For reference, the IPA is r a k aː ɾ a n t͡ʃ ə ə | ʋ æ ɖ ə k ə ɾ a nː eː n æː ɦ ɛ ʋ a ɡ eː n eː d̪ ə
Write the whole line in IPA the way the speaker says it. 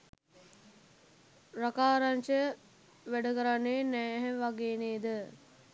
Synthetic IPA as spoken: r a k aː ɾ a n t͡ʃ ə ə | ʋ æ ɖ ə k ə ɾ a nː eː n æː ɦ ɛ ʋ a ɡ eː n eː d̪ ə

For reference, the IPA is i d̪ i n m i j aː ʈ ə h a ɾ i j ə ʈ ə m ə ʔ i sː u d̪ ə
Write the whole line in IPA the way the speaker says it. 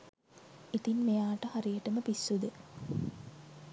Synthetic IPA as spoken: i t̪ i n m e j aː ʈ ə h a ɾ i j ə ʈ ə m ə p i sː u d̪ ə

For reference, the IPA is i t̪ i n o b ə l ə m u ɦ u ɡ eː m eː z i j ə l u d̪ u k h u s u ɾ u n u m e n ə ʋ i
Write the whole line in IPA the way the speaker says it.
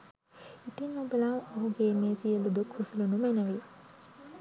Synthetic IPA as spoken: i t̪ i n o b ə l a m o ɦ u ɡ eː m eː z i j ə l u d̪ u k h u s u l u n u m e n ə ʋ i

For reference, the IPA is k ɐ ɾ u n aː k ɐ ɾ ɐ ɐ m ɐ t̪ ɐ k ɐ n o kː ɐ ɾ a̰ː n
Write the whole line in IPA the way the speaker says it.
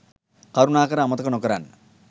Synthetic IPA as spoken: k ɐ ɾ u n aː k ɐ ɾ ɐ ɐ m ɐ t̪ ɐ k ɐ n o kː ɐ ɾ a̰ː n

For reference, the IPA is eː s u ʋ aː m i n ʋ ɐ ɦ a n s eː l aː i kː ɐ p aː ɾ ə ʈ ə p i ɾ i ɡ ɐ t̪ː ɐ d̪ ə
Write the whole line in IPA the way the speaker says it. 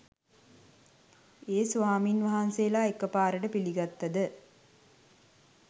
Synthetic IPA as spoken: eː s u ʋ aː m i n ʋ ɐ ɦ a n s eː l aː e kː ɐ p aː ɾ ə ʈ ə p i l i ɡ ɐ t̪ː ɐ d̪ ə

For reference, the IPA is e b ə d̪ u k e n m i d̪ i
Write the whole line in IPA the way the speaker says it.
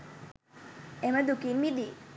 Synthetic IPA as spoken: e m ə d̪ u k i n m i d̪ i

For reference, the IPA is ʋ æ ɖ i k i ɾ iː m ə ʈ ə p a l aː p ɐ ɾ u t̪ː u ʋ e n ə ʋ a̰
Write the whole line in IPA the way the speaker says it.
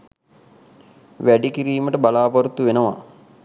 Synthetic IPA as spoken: ʋ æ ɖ i k i ɾ iː m ə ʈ ə b a l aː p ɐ ɾ u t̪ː u ʋ e n ə ʋ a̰

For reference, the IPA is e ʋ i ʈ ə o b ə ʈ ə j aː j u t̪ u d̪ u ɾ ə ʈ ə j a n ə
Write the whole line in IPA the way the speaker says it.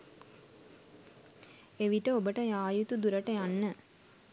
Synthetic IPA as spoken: e ʋ i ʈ ə o b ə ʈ ə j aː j u t̪ u d̪ u ɾ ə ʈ ə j a nː ə

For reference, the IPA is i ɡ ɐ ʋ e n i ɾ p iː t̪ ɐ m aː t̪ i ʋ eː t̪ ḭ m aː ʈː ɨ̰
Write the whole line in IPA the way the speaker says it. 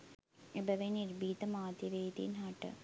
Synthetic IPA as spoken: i b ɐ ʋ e n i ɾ b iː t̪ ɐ m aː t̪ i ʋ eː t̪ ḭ n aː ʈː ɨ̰

